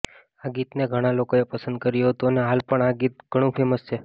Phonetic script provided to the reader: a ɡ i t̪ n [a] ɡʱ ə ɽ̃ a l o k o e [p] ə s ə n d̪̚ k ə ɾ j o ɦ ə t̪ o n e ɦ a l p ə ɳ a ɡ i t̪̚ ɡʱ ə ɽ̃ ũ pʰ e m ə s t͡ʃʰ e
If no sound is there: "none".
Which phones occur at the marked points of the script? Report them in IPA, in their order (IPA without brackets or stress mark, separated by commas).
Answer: e, p